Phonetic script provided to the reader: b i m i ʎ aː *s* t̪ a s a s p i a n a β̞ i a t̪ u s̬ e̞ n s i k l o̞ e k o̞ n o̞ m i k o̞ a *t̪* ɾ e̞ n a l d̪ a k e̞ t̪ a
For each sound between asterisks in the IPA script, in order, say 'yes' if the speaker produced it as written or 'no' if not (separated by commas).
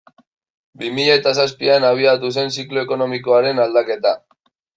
no, no